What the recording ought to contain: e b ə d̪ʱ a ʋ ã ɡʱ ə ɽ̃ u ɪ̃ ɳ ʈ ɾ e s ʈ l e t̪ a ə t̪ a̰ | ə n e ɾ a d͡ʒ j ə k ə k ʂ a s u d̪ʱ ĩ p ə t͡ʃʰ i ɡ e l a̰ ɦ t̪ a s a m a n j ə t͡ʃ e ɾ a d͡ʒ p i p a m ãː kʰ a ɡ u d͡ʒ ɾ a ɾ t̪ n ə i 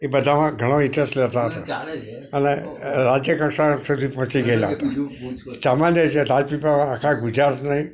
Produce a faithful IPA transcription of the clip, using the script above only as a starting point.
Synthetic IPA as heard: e b ə d̪ʱ a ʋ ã ɡʱ ə ɽ̃ o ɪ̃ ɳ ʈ ɾ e s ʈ l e t̪ a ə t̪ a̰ | ə n e ɾ a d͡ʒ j ə k ə k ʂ a s u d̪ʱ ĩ p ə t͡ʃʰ i ɡ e l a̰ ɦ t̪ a s a m a n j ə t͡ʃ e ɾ a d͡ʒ p i p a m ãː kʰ a ɡ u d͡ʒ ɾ a ɾ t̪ n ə i